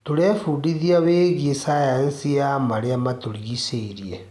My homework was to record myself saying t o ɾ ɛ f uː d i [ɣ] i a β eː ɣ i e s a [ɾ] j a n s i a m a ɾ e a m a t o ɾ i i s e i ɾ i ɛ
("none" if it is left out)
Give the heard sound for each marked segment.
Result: ð, none

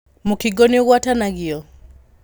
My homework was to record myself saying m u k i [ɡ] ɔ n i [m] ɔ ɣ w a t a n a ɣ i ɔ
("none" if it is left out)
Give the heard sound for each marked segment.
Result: ɡ, none

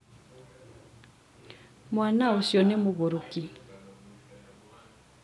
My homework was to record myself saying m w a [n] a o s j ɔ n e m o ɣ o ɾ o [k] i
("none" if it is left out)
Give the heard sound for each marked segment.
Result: n, k

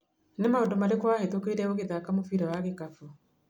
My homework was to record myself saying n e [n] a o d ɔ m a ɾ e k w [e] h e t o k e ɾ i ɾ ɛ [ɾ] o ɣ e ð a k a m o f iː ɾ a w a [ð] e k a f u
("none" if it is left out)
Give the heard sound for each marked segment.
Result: m, a, none, ɣ

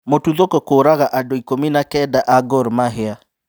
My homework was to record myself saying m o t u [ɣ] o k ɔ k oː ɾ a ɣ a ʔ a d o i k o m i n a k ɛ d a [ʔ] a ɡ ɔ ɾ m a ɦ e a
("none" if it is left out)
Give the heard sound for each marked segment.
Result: ð, ʔ

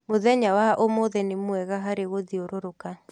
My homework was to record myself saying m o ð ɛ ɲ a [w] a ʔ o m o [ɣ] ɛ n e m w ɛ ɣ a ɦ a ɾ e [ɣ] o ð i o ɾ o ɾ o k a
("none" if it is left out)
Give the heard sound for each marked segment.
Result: w, ð, ɣ

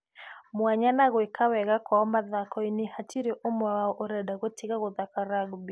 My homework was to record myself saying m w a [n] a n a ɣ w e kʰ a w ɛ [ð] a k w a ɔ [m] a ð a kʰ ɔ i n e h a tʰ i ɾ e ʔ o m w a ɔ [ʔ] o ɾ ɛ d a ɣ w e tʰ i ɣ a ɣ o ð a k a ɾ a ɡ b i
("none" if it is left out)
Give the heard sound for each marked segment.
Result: ɲ, ɣ, m, ʔ

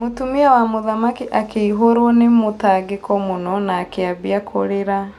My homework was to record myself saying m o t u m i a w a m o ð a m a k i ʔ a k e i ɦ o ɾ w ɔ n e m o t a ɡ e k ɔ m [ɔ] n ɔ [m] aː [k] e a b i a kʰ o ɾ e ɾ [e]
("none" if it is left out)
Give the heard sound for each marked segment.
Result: o, n, k, a

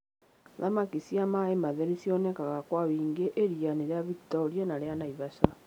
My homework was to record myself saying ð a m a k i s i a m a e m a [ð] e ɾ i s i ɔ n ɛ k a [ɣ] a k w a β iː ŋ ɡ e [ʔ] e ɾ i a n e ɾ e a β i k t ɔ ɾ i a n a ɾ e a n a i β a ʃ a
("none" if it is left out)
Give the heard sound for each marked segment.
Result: ð, ɣ, ʔ

